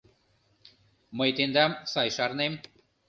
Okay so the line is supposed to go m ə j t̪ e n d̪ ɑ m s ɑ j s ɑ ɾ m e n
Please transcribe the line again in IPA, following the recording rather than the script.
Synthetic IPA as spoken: m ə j t̪ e n d̪ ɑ m s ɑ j ʃ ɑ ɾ n e m